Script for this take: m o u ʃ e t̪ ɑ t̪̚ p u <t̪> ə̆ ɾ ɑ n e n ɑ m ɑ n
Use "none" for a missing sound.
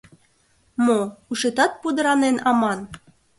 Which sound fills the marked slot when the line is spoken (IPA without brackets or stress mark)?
d̪